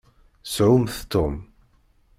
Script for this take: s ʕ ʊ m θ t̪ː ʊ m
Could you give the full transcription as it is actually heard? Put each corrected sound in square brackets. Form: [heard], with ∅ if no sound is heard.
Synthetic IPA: s ʕ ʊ m θ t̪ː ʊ m